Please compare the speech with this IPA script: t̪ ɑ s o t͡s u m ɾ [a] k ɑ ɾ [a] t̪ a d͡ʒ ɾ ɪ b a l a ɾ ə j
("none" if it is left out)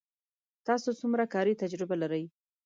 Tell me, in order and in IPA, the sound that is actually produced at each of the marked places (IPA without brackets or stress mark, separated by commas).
a, i